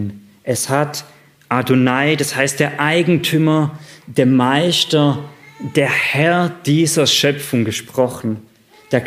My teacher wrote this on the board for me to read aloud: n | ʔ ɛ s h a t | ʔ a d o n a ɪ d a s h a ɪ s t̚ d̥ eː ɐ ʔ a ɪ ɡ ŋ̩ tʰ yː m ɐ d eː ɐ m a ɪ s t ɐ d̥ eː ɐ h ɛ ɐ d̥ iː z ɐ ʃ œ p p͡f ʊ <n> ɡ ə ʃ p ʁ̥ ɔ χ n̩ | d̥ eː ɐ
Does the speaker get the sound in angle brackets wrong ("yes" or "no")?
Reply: yes